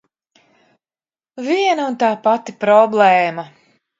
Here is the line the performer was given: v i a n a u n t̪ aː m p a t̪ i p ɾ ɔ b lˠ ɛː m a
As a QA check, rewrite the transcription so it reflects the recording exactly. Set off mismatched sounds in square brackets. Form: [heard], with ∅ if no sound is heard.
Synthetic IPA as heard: v i [ɛ] n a u n t̪ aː [∅] p a t̪ i p ɾ ɔ b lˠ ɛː m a

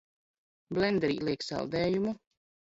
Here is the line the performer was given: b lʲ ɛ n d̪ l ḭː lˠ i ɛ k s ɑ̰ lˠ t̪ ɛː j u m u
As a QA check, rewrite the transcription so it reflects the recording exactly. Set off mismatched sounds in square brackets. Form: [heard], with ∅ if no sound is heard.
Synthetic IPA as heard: b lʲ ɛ n d̪ [ɾ] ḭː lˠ i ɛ k s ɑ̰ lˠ [d̪] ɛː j u m u

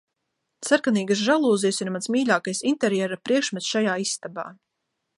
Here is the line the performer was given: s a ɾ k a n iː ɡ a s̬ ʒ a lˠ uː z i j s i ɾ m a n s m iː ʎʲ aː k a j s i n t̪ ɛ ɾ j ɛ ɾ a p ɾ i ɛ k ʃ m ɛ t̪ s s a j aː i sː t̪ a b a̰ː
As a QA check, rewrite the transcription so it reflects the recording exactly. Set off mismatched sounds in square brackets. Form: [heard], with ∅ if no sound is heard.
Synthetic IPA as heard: s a ɾ k a n iː ɡ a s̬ ʒ a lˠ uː z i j s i ɾ m a n s m iː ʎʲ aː k a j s i n t̪ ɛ ɾ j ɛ ɾ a p ɾ i ɛ k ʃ m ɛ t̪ s [ʃ] a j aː i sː t̪ a b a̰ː

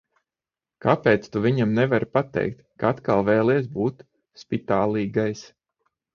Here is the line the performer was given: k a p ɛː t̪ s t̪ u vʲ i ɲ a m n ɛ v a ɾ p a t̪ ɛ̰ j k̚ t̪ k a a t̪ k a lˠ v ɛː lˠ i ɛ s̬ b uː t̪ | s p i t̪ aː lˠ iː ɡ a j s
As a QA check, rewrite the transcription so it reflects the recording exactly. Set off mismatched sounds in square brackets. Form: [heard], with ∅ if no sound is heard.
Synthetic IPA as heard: k a p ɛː t̪ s t̪ u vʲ i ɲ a m n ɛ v a ɾ p a t̪ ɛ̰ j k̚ t̪ k a a t̪ k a lˠ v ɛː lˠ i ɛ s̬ b uː t̪ | s p i t̪ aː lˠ iː ɡ a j s

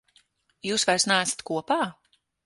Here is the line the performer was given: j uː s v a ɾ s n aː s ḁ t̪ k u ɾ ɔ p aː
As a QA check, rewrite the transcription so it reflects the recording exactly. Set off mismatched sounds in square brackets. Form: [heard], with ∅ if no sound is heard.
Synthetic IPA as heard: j uː s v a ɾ s n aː s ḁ t̪ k u [∅] ɔ p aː

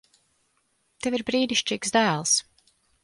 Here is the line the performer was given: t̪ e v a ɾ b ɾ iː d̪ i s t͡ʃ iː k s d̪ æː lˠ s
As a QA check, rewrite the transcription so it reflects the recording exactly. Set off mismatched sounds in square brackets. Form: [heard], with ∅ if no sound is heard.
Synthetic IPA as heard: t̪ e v [i] ɾ b ɾ iː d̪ i [ʃ] t͡ʃ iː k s d̪ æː lˠ s

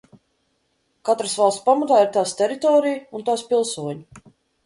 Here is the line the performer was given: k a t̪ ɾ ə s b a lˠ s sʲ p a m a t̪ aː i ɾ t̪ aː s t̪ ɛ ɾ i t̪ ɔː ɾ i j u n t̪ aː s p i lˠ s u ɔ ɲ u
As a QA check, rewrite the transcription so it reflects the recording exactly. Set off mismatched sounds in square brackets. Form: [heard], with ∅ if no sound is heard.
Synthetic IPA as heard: k a t̪ ɾ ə s [v] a lˠ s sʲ p a m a t̪ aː i ɾ t̪ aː s t̪ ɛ ɾ i t̪ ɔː ɾ i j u n t̪ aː s p i lˠ s u ɔ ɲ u

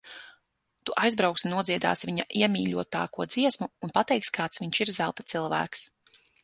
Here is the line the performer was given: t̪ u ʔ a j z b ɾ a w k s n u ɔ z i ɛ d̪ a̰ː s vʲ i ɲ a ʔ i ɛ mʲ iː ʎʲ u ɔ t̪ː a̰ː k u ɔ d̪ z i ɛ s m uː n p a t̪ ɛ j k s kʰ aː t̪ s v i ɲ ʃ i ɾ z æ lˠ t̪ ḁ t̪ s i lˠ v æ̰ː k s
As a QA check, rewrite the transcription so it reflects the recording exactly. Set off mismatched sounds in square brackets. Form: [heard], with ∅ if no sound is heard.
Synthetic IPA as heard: t̪ u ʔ a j z b ɾ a w k s n u ɔ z i ɛ d̪ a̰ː s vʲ i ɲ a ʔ i ɛ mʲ iː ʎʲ u ɔ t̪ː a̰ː k u ɔ d̪ z i ɛ s m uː n p a t̪ ɛ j k s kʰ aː t̪ s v i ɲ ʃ i ɾ z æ lˠ t̪ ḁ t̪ s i lˠ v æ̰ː k s

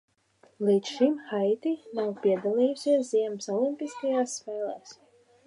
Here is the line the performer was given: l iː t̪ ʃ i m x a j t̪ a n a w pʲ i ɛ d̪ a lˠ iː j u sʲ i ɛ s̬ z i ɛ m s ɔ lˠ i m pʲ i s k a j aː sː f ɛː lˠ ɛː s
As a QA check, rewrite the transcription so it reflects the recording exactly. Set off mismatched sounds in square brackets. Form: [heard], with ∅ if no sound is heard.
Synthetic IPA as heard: l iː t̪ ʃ i m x a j t̪ [i] n a w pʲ i ɛ d̪ a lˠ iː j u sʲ i ɛ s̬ z i ɛ m s ɔ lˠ i m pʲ i s k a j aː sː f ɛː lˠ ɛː s

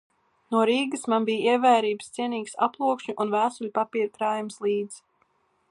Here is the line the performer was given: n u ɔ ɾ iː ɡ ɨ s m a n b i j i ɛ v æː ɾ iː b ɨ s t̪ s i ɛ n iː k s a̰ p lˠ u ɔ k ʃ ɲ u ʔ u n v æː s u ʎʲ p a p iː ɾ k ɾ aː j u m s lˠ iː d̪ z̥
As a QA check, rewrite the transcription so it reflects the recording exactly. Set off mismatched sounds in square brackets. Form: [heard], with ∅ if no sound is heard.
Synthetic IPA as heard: n u ɔ ɾ iː ɡ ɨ s m a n b i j i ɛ v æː ɾ iː b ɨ s t̪ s i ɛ n iː k s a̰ p lˠ u ɔ k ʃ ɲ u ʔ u n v æː s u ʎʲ p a p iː ɾ k ɾ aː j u m s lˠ iː d̪ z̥

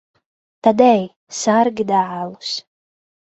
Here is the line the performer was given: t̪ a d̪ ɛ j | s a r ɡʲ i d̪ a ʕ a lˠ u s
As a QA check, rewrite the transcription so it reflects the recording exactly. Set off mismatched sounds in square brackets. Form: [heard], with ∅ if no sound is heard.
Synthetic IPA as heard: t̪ a d̪ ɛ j | s a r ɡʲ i d̪ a ʕ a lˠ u s

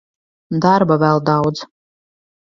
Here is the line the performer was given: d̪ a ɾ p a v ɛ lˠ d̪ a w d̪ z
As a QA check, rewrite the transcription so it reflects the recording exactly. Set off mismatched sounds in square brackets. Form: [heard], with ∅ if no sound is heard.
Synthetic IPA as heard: d̪ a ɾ [b] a v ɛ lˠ d̪ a w d̪ z

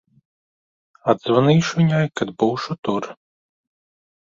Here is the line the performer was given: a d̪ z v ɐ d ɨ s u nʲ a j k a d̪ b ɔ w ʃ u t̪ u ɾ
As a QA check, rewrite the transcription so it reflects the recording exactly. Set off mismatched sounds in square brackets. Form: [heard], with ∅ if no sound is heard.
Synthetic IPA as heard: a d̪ z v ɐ [n] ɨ [ʃ] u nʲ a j k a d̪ b [u] w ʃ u t̪ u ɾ

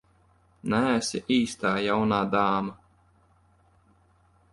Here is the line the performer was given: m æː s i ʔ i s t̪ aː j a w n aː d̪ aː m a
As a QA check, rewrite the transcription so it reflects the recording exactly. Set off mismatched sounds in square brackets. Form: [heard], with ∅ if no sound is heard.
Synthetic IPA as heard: [n] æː s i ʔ [iː] s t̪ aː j a w n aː d̪ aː m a

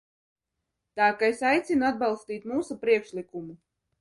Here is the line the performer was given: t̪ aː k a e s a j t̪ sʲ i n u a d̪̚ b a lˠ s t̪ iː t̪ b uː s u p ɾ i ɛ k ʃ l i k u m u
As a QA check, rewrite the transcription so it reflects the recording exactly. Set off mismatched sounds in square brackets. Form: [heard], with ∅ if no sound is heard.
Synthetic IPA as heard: t̪ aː k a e s a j t̪ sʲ i n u a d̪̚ b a lˠ s t̪ iː t̪ [m] uː s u p ɾ i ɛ k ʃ l i k u m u

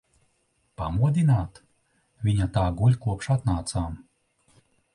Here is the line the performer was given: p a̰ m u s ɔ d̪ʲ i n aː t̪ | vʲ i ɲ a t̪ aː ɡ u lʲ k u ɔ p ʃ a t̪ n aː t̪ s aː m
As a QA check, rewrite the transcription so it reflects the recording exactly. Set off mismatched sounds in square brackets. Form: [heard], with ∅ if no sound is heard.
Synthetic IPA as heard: p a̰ m u [∅] ɔ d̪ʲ i n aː t̪ | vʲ i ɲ a t̪ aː ɡ u lʲ k u ɔ p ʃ a t̪ n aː t̪ s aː m

